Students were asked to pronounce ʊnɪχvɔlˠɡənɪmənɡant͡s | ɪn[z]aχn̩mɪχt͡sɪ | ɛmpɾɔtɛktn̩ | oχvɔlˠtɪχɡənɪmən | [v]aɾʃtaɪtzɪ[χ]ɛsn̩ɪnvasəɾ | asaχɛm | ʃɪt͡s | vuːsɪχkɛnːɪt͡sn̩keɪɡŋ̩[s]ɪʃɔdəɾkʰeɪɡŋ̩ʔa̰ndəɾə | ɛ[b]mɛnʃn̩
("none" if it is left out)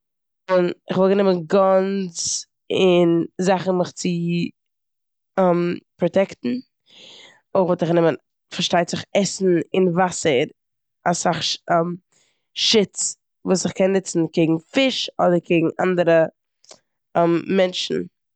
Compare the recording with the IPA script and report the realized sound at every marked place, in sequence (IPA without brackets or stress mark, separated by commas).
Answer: z, f, χ, f, m